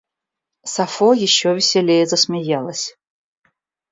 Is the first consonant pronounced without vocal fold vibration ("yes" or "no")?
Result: yes